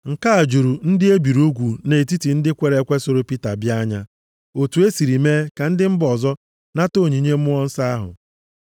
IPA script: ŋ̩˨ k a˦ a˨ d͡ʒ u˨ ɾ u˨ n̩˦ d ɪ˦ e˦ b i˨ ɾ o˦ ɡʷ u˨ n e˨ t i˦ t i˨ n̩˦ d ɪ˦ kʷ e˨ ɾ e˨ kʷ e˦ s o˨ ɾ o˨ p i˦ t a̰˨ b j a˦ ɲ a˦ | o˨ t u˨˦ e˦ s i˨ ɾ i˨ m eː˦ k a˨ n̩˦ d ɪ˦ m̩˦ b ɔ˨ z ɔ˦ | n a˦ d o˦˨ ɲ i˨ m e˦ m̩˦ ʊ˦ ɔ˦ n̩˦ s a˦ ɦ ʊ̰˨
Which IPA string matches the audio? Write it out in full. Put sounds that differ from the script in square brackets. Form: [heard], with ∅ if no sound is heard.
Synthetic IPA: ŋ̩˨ k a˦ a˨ d͡ʒ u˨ ɾ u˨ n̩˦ d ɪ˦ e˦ b i˨ ɾ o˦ ɡʷ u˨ n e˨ t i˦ t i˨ n̩˦ d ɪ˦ kʷ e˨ ɾ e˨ kʷ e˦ s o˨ ɾ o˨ p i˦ t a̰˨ b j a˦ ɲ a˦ | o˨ t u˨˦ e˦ s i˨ ɾ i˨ m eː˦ k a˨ n̩˦ d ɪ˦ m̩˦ b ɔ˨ z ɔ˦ | n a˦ [t] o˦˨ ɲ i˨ [ɲ] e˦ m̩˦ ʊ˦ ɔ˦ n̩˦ s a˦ ɦ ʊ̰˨

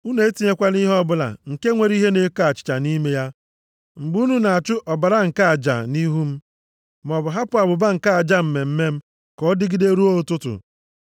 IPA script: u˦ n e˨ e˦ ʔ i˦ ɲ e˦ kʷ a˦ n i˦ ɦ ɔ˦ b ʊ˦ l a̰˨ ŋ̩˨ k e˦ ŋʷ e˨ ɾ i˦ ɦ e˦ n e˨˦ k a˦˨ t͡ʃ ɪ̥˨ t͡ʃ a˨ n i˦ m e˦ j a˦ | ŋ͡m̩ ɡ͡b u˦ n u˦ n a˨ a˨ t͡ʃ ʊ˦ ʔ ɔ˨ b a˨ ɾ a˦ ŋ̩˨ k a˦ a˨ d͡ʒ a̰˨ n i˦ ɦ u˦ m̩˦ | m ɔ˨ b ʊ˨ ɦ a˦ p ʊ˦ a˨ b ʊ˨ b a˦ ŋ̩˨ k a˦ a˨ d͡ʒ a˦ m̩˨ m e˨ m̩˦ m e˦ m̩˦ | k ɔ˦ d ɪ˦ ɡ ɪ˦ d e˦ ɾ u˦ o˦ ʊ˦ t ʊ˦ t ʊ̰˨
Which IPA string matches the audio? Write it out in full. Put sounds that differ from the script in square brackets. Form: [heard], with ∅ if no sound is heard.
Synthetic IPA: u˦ n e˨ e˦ [t] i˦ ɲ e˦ kʷ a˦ n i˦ ɦ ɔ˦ b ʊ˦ l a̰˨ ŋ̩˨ k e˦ ŋʷ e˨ ɾ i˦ ɦ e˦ n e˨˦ k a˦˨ t͡ʃ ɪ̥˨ t͡ʃ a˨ n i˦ m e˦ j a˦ | ŋ͡m̩ ɡ͡b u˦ n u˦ n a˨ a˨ t͡ʃ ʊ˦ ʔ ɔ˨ b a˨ ɾ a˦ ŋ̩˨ k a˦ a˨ d͡ʒ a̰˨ n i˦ ɦ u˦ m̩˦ | m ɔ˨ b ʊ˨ ɦ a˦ p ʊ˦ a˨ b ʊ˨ b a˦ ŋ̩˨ k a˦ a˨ d͡ʒ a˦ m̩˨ m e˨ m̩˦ m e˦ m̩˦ | k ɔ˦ d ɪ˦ ɡ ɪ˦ d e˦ ɾ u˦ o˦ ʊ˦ t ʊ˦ t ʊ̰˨

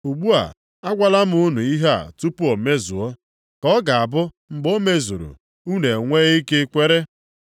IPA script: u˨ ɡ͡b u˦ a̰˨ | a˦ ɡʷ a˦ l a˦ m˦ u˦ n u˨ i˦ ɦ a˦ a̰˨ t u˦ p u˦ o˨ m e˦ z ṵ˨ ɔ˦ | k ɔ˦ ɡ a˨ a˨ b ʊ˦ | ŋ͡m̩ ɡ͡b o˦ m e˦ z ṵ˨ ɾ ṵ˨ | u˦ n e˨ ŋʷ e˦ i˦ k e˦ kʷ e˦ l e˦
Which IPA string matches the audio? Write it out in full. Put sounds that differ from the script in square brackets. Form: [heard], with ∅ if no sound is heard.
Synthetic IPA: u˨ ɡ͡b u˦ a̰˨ | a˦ ɡʷ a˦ l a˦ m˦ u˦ n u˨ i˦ ɦ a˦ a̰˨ t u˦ p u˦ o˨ m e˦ z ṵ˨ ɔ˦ | k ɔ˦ ɡ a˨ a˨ b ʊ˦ | ŋ͡m̩ ɡ͡b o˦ m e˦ z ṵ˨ ɾ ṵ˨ | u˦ n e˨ ŋʷ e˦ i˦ k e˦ kʷ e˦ [ɾ] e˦

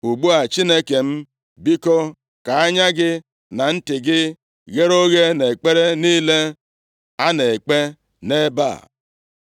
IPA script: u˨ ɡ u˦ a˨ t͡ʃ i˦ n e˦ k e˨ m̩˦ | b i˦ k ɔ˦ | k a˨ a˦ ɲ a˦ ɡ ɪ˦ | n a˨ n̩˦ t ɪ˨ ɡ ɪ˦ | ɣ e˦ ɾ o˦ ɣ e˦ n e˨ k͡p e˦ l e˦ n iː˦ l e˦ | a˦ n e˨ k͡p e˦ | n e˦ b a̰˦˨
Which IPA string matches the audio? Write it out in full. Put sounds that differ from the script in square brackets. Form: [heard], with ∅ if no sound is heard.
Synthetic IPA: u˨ [ɡ͡b] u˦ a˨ t͡ʃ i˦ n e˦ k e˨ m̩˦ | b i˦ k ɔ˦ | k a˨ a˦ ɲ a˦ ɡ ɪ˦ | n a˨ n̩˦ t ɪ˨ ɡ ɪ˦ | ɣ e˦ ɾ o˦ ɣ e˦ n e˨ k͡p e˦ [ɾ] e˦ n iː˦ l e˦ | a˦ n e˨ k͡p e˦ | n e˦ b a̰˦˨

